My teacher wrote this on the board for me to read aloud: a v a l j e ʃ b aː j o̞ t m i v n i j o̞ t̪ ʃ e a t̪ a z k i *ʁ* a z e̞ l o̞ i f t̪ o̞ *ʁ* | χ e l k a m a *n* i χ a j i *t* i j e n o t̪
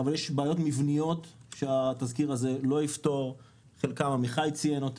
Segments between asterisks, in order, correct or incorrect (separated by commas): correct, correct, incorrect, incorrect